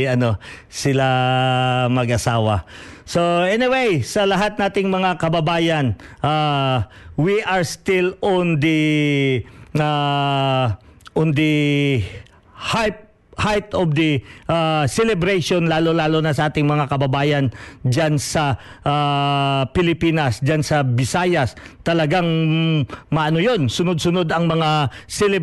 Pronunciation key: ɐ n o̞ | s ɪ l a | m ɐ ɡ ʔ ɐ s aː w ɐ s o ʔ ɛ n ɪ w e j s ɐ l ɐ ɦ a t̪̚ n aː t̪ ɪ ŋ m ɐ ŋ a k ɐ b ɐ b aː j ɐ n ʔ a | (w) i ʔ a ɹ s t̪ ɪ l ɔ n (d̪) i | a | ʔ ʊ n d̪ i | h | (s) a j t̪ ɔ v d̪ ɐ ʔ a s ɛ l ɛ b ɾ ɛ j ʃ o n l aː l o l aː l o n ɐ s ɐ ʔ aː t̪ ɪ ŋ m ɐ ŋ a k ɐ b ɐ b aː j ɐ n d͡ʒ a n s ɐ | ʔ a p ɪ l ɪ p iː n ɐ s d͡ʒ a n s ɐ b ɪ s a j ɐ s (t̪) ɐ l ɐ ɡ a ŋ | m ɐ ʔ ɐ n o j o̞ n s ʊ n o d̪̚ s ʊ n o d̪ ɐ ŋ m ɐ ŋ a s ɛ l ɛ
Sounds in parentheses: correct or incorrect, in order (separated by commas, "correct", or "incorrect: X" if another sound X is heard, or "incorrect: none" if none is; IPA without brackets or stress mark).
correct, correct, incorrect: h, correct